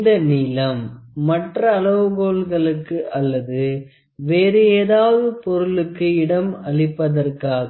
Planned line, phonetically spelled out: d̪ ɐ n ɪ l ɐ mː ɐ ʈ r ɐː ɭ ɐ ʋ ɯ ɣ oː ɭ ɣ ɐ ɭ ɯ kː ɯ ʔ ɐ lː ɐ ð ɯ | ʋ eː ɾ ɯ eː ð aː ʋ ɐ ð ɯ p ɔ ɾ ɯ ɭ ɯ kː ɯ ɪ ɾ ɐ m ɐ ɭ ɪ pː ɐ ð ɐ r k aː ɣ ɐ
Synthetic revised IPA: d̪ ɐ n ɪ l ɐ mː ɐ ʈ r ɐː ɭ ɐ ʋ ɯ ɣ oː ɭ ɣ ɐ ɭ ɯ kː ɯ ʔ ɐ lː ɐ ð ɯ | ʋ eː ɾ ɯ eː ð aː ʋ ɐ ð ɯ p ɔ ɾ ɯ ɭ ɯ kː ɯ ɪ ɽ ɐ m ɐ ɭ ɪ pː ɐ ð ɐ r k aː ɣ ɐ